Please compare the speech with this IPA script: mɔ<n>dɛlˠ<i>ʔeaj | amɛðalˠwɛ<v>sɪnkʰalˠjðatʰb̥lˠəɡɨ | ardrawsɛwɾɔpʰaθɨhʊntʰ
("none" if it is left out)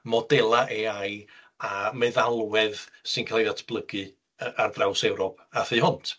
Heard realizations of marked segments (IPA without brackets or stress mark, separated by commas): none, a, ð